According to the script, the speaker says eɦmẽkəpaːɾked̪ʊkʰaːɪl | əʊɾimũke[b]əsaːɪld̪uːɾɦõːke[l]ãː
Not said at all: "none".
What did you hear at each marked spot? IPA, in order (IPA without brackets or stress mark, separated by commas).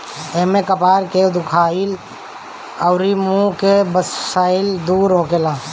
b, l